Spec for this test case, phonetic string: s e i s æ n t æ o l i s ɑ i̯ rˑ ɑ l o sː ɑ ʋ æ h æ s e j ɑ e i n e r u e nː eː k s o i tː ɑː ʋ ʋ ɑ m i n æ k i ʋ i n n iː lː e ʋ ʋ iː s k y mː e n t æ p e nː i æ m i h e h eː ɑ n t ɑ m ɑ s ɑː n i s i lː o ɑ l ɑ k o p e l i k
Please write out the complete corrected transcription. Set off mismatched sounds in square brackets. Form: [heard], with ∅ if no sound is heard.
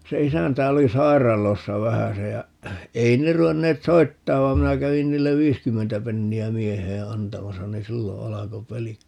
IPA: s e i s æ n t æ o l i s ɑ i̯ rˑ ɑ l o sː ɑ ʋ æ h æ s e j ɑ e i n e r u e nː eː [t] s o i tː ɑː ʋ ʋ ɑ m i n æ k [æ] ʋ i n n iː lː e ʋ ʋ iː s k y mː e n t æ p e nː i æ m i [∅] e h eː ɑ n t ɑ m ɑ s [ɑ] n i s i lː o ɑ l ɑ k o p e l i k